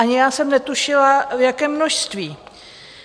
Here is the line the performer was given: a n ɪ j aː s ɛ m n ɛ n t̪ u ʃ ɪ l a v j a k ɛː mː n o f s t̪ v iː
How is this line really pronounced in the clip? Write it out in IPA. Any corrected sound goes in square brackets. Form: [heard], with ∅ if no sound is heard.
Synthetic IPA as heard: a [ɲ] ɪ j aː s ɛ m n ɛ [∅] t̪ u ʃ ɪ l a v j a k ɛː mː n o [ʃ] s t̪ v iː